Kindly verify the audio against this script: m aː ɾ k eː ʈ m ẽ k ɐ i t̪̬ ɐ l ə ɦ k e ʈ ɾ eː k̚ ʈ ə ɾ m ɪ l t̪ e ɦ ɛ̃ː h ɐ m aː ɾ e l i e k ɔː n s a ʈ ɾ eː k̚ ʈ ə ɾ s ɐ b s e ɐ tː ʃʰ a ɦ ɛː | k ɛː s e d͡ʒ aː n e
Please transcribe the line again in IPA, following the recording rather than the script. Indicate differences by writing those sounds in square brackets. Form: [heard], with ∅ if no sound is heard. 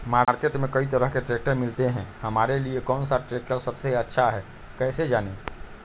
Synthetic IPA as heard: m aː ɾ k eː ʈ m ẽ k ɐ i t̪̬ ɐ [ɾ] ə ɦ k e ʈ ɾ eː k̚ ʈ ə ɾ m ɪ l t̪ e ɦ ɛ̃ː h ɐ m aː ɾ e l i e k ɔː n s a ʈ ɾ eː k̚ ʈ ə ɾ s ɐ b s e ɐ tː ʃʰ a ɦ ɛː | k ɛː s e d͡ʒ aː n e